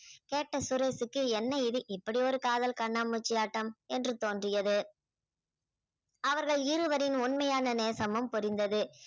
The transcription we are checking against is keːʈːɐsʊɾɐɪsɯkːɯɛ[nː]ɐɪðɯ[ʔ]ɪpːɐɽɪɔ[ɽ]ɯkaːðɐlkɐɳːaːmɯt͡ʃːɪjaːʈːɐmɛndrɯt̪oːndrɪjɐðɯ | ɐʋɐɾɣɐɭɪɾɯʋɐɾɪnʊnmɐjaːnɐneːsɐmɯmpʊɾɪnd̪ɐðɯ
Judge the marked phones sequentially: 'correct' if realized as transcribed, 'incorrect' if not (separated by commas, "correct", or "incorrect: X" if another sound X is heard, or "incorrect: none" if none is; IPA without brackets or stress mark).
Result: correct, correct, incorrect: ɾ